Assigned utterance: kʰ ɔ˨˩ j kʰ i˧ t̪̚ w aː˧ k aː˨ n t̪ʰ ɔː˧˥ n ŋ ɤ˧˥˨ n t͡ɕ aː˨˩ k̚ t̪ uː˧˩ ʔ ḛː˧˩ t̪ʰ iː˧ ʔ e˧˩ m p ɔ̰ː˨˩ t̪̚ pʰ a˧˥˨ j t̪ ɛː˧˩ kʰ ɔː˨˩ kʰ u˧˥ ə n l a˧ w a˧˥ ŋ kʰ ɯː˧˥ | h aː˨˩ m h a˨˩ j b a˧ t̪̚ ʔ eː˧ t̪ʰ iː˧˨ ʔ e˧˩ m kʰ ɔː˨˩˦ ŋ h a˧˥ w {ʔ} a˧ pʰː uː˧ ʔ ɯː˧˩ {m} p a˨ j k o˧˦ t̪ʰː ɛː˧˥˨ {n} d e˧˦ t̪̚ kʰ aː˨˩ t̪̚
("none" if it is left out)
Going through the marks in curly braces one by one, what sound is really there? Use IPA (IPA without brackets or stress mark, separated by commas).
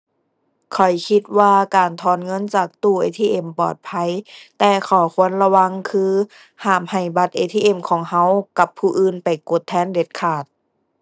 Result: k, n, n